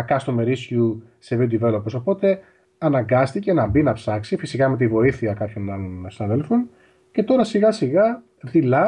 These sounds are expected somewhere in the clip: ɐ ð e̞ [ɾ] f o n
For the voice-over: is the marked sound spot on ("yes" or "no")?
no